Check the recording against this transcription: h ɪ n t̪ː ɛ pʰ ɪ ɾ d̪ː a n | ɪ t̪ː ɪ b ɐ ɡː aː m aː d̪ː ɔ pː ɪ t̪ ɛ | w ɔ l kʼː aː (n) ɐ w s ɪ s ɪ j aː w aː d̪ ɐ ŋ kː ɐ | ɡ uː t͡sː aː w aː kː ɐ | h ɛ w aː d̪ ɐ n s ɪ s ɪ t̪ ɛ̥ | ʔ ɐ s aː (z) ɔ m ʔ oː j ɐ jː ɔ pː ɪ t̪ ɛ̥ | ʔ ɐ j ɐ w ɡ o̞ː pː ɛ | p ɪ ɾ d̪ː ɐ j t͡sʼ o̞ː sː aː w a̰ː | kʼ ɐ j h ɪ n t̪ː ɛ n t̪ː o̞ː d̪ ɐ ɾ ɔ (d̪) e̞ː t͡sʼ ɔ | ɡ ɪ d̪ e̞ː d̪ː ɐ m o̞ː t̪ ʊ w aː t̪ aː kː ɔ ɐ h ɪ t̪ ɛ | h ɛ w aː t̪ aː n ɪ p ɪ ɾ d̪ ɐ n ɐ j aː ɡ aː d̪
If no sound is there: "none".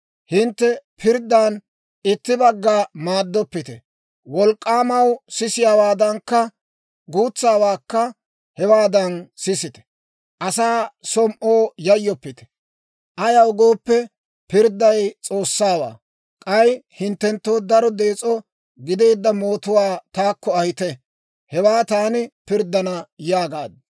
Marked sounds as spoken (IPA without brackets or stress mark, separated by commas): m, s, d̪